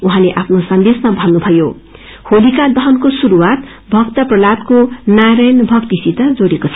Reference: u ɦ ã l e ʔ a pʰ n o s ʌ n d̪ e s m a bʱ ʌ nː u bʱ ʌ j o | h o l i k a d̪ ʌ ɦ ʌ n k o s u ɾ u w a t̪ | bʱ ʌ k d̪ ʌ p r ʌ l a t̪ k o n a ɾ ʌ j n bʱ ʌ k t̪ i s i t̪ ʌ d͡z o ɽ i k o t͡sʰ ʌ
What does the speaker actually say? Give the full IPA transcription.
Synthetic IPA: u ɦ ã l e ʔ a pʰ n o s ʌ n d̪ e s m a bʱ ʌ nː u bʱ ʌ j o | h o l i k a d̪ ʌ ɦ ʌ n k o s u ɾ u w a t̪ | bʱ ʌ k t̪ ʌ p r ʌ l a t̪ k o n a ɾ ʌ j n bʱ ʌ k t̪ i s i t̪ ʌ d͡z o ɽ e k o t͡sʰ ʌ

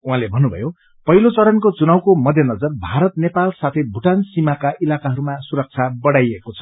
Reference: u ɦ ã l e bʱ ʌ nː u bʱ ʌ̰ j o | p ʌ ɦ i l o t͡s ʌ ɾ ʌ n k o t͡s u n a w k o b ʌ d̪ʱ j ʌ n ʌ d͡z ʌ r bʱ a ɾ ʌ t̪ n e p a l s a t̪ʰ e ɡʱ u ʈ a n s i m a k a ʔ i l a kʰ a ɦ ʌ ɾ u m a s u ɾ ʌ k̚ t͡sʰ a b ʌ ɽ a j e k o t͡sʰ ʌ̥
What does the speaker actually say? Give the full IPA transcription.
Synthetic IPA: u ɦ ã l e bʱ ʌ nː u bʱ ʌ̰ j o | p ʌ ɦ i l o t͡s ʌ ɾ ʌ n k o t͡s u n a w k o m ʌ d̪ʱ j ʌ n ʌ d͡z ʌ r bʱ a ɾ ʌ t̪ n e p a l s a t̪ʰ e bʱ u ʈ a n s i m a k a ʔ i l a k a ɦ ʌ ɾ u m a s u ɾ ʌ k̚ t͡sʰ a b ʌ ɽ a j e k o t͡sʰ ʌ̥

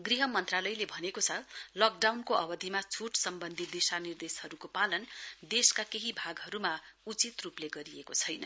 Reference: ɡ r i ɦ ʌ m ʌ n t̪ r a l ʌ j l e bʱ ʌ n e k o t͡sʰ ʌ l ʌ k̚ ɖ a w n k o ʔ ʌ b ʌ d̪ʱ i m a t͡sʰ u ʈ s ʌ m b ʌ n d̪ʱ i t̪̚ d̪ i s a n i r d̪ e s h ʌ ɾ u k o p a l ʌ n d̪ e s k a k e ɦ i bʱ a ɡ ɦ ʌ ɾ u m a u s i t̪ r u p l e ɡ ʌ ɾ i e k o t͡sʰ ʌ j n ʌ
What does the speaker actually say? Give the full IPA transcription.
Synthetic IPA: ɡ r i ɦ ʌ m ʌ n t̪ r a l ʌ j l e bʱ ʌ n e k o t͡sʰ ʌ l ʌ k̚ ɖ a w n k o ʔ ʌ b ʌ d̪ʱ i m a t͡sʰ u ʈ s ʌ m b ʌ n d̪ʱ i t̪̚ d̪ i s a n i r d̪ e s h ʌ ɾ u k o p a l ʌ n d̪ e s k a k e ɦ i bʱ a ɡ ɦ ʌ ɾ u m a u t͡s i t̪ r u p l e ɡ ʌ ɾ i e k o t͡sʰ ʌ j n ʌ

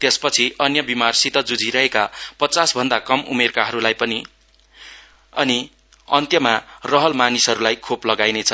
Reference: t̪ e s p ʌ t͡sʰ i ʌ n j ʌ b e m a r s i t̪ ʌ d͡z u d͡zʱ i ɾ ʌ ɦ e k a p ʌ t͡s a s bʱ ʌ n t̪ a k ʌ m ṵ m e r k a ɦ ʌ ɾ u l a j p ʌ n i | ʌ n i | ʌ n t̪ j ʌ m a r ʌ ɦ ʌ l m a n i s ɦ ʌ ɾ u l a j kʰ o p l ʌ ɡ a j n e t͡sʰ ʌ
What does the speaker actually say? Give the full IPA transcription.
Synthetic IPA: t̪ e s p ʌ t͡sʰ i ʌ n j ʌ b i m a r s i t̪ ʌ d͡z u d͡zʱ i ɾ ʌ ɦ e k a p ʌ t͡s a s bʱ ʌ n d̪ a k ʌ m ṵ m e r k a ɦ ʌ ɾ u l a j p ʌ n i | ʌ n i | ʌ n t̪ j ʌ m a r ʌ ɦ ʌ l m a n i s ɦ ʌ ɾ u l a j kʰ o p l ʌ ɡ a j n e t͡sʰ ʌ

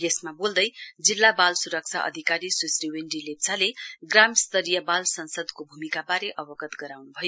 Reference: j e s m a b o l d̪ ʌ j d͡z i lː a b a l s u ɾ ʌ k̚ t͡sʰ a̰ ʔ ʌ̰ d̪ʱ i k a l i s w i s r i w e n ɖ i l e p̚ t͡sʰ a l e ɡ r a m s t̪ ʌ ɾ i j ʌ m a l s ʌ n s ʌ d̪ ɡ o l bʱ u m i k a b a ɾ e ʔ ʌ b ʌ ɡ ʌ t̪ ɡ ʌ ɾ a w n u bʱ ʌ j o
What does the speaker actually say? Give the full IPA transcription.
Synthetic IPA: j e s m a b o l d̪ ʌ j d͡z i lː a b a l s u ɾ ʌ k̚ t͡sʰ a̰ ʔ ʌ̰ d̪ʱ i k a ɾ i s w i s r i w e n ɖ i l e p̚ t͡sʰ a l e ɡ r a m s t̪ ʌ ɾ i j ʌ b a l s ʌ n s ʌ d̪ k o bʱ u m i k a b a ɾ e ʔ ʌ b ʌ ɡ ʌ t̪ ɡ ʌ ɾ a w n u bʱ ʌ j o

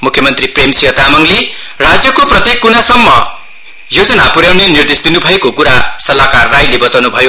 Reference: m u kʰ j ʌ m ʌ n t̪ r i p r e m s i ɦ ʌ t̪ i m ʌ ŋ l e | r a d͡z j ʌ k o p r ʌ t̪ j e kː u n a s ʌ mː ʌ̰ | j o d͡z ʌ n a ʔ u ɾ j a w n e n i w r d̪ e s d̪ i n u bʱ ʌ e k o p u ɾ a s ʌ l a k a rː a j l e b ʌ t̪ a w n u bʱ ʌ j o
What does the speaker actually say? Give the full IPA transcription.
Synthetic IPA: m u kʰ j ʌ m ʌ n t̪ r i p r e m s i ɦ ʌ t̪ a m ʌ ŋ l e | r a d͡z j ʌ k o p r ʌ t̪ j e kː u n a s ʌ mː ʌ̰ | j o d͡z ʌ n a p u ɾ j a w n e n i r d̪ e s d̪ i n u bʱ ʌ e k o k u ɾ a s ʌ l a k a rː a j l e b ʌ t̪ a w n u bʱ ʌ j o

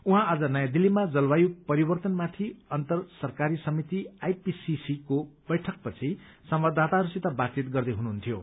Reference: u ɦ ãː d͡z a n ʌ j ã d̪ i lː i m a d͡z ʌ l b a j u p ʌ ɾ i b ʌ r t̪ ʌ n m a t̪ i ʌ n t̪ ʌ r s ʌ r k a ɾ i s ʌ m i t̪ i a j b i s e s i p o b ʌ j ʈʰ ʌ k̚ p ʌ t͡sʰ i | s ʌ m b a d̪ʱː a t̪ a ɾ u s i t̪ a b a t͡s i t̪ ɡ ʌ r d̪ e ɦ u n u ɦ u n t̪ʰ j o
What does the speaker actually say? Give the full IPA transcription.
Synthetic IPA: u ɦ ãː d͡z ʌ n ʌ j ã d̪ i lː i m a d͡z ʌ l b a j u p ʌ ɾ i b ʌ r t̪ ʌ n m a t̪ʰ i ʌ n t̪ ʌ r s ʌ r k a ɾ i s ʌ m i t̪ i a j p i s i s i k o b ʌ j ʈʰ ʌ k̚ p ʌ t͡sʰ i | s ʌ m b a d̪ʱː a t̪ a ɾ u s i t̪ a b a t͡s i t̪ ɡ ʌ r d̪ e ɦ u n u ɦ u n t̪ʰ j o

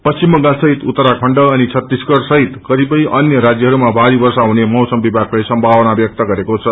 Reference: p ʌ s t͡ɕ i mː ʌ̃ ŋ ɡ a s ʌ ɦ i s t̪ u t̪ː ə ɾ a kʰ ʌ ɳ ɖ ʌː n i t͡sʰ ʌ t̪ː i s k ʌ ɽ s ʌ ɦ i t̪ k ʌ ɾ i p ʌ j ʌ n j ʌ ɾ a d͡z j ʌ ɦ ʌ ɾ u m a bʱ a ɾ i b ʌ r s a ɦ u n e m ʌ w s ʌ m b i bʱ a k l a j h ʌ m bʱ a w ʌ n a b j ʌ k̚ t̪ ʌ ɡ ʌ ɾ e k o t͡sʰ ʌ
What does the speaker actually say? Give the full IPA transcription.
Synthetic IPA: p ʌ s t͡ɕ i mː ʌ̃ ŋ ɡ a s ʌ ɦ i t̪ u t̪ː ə ɾ a kʰ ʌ ɳ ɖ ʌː n i t͡sʰ ʌ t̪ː i s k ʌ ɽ s ʌ ɦ i t̪ k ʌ ɾ i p ʌ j ʌ n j ʌ ɾ a d͡z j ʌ ɦ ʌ ɾ u m a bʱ a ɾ i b ʌ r s a ɦ u n e m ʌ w s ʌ m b i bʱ a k l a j s ʌ m bʱ a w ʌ n a b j ʌ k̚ t̪ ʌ ɡ ʌ ɾ e k o t͡sʰ ʌ

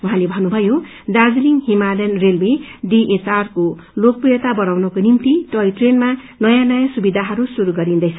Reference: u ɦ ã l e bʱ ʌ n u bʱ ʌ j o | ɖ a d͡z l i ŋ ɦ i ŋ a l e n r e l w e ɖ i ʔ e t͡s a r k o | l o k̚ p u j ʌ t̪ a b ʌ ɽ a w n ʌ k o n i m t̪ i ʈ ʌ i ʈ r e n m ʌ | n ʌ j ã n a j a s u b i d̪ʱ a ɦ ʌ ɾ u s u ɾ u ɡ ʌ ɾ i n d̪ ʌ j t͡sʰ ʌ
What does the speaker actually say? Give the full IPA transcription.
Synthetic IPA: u ɦ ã l e bʱ ʌ n u bʱ ʌ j o | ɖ a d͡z l i ŋ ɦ i m a l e n r e l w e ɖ i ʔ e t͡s a r k o | l o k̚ p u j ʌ t̪ a b ʌ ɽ a w n ʌ k o n i m t̪ i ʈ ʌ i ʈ r e n m a | n ʌ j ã n ʌ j a s u b i d̪ʱ a ɦ ʌ ɾ u s u ɾ u ɡ ʌ ɾ i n d̪ ʌ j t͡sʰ ʌ

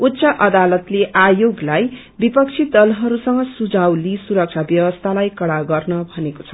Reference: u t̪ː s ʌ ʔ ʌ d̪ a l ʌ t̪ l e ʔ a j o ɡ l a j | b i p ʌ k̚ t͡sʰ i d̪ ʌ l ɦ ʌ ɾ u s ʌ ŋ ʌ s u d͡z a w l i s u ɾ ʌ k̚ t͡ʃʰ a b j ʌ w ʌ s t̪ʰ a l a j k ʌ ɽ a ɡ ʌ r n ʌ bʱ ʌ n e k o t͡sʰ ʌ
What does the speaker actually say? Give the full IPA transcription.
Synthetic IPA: u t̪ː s ʌ ʔ ʌ d̪ a l ʌ t̪ l e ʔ a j o ɡ l a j | b i p ʌ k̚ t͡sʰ i d̪ ʌ l ɦ ʌ ɾ u s ʌ ŋ ʌ s u d͡z a w l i s u ɾ ʌ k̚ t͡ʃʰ a b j ʌ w ʌ s t̪ʰ a l a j k ʌ ɽ a ɡ ʌ r n ʌ bʱ ʌ n e k o t͡sʰ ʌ

